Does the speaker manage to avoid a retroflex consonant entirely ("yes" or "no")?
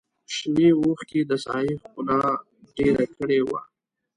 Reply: no